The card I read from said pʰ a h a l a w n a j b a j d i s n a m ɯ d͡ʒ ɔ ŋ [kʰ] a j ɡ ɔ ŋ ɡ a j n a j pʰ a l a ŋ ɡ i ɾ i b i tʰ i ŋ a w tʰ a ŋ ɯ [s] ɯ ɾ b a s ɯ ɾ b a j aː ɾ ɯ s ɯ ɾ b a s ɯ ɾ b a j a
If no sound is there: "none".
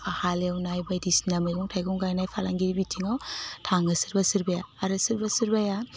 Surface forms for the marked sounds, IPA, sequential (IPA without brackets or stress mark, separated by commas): tʰ, s